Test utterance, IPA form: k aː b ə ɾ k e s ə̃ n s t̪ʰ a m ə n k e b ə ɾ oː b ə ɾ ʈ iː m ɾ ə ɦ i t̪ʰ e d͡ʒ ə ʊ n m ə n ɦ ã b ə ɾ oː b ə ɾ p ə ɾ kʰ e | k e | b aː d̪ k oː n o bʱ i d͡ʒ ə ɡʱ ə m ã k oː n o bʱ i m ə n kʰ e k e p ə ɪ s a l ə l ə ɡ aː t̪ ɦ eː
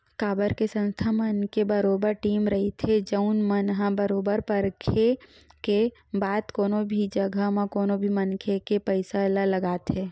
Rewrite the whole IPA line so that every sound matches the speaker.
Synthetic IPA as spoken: k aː b ə ɾ k e s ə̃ n s t̪ʰ a m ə n k e b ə ɾ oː b ə ɾ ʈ iː m ɾ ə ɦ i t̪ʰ e d͡ʒ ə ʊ n m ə n ɦ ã b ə ɾ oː b ə ɾ p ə ɾ kʰ e | k e | b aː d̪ k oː n o bʱ i d͡ʒ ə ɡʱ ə m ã k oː n o bʱ i m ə n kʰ e k e p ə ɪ s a l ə l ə ɡ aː t̪ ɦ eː